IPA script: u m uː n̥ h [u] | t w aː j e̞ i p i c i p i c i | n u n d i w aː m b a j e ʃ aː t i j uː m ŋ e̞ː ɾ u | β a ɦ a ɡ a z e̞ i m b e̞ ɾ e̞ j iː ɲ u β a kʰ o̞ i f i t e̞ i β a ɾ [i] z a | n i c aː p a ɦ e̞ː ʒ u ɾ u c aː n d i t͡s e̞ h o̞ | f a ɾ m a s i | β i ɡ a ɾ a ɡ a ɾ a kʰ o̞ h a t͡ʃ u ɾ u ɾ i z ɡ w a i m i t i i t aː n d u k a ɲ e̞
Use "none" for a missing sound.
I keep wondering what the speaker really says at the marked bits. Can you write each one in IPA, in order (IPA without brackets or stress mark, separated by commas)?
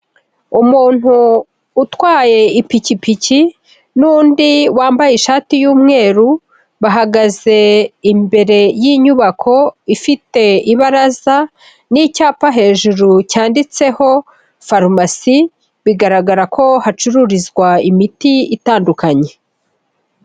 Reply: uː, a